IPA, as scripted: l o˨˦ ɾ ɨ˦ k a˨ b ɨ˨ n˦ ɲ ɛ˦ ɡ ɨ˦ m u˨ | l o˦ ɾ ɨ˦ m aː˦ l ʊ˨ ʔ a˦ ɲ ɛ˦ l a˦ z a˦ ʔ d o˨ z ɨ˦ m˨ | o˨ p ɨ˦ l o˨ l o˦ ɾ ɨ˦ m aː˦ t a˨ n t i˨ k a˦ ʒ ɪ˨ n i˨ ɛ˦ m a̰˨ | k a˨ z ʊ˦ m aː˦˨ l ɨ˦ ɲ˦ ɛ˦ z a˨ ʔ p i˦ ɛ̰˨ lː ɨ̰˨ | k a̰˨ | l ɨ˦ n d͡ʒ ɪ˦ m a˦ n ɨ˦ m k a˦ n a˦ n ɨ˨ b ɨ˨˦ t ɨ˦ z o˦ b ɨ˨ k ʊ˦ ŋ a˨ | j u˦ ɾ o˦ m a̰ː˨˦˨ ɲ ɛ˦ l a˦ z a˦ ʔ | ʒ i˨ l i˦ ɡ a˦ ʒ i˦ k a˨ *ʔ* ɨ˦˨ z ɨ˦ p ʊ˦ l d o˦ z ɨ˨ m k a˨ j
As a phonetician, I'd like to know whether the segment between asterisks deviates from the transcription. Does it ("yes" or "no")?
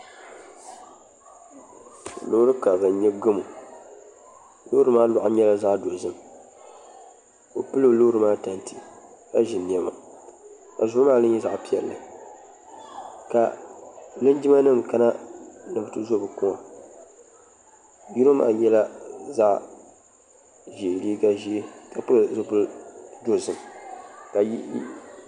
yes